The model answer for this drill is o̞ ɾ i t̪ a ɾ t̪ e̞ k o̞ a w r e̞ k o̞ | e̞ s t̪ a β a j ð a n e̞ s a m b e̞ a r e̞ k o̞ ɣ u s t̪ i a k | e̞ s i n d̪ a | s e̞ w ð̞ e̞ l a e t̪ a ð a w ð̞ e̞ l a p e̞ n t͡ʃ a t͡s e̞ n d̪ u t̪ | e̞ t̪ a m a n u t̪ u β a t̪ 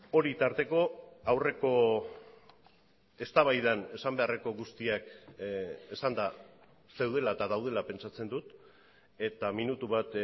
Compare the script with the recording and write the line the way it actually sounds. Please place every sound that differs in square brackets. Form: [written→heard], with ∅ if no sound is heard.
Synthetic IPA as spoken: o̞ ɾ i t̪ a ɾ t̪ e̞ k o̞ a w r e̞ k o̞ | e̞ s t̪ a β a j ð a n e̞ s a m b e̞ a r e̞ k o̞ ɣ u s t̪ i a k | e̞ s [i→a] n d̪ a | s e̞ w ð̞ e̞ l a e t̪ a ð a w ð̞ e̞ l a p e̞ n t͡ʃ a t͡s e̞ n d̪ u t̪ | e̞ t̪ a m [a→i] n u t̪ u β a t̪